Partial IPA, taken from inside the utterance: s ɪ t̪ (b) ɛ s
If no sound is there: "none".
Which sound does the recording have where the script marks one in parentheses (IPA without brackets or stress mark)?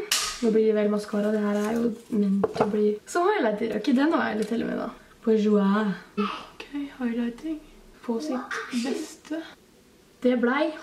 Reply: b